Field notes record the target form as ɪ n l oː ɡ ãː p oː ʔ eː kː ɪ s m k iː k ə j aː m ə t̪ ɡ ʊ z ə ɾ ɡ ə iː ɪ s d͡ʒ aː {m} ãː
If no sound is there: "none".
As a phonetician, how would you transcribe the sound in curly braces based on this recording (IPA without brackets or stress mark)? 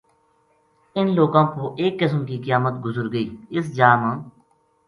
m